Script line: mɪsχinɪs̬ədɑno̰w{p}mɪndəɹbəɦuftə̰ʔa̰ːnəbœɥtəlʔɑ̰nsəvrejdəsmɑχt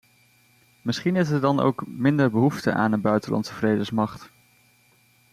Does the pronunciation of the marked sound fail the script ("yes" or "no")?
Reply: yes